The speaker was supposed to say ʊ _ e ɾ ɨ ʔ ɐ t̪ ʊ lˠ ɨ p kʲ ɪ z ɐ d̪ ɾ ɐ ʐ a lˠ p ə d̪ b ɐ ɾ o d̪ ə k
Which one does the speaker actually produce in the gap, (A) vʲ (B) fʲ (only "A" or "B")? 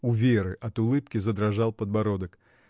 A